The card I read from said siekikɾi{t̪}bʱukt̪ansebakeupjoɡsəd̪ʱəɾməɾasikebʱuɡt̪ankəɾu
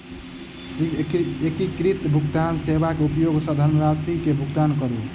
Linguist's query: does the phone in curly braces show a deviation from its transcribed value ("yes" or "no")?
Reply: no